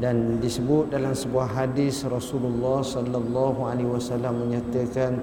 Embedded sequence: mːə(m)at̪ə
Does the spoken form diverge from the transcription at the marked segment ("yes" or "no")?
yes